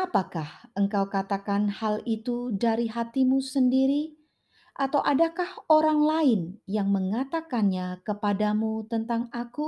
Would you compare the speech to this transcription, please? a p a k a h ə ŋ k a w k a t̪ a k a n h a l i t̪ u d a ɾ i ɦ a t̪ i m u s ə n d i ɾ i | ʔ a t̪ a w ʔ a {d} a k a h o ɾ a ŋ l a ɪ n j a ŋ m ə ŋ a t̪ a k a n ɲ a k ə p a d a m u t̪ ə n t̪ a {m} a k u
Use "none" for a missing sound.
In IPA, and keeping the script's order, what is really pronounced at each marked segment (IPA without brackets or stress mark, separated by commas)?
d, ŋ